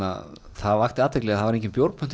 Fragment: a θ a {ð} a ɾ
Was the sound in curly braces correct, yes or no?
no